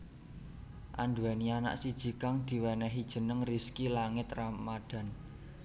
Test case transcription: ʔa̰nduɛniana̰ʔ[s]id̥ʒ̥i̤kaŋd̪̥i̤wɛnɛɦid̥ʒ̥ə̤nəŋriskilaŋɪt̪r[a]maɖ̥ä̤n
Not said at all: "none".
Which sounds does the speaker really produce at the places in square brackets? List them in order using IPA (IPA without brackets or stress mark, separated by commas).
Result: s, a